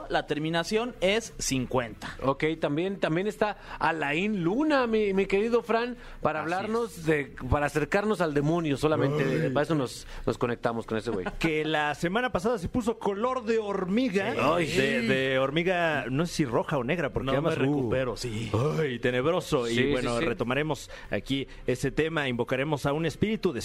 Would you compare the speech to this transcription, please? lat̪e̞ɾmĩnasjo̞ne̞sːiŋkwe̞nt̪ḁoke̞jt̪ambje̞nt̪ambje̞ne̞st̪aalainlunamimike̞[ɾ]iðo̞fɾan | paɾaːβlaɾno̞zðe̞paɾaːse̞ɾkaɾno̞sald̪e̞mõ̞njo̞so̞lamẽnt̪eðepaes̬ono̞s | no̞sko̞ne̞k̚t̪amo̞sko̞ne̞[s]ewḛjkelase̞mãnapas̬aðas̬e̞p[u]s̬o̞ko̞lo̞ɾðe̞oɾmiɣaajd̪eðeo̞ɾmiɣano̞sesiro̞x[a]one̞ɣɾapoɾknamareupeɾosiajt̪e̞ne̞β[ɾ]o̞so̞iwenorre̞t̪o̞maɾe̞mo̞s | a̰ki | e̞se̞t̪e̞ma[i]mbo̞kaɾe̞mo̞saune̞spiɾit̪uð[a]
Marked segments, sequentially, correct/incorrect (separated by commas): correct, correct, correct, correct, correct, correct, incorrect